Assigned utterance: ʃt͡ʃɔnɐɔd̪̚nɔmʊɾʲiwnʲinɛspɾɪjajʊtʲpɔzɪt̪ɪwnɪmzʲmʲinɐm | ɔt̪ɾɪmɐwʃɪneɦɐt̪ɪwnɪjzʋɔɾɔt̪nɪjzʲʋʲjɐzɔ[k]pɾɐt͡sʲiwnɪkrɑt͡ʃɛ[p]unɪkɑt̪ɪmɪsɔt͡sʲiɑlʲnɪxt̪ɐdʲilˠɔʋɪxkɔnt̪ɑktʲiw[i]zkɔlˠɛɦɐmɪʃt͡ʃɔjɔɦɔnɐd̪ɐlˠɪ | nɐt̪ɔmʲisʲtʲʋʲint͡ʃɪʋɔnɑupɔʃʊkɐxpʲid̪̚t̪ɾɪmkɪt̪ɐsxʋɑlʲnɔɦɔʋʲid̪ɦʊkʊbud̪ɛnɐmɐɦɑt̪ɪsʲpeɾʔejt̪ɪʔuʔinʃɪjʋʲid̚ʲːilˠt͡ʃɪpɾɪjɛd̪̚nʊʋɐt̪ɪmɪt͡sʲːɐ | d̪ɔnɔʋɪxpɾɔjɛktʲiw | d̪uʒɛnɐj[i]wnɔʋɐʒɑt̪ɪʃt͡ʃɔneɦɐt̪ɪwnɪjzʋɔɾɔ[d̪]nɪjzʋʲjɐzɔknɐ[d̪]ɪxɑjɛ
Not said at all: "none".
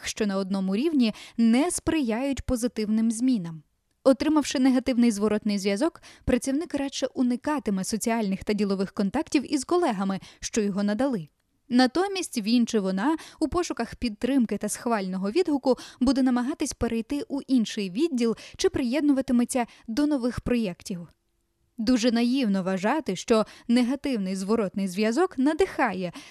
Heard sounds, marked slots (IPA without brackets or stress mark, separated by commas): k, ʔ, i, i, t̪, d̪